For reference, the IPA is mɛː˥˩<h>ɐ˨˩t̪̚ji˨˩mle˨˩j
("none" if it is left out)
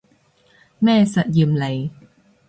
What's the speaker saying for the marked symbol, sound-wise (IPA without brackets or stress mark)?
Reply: s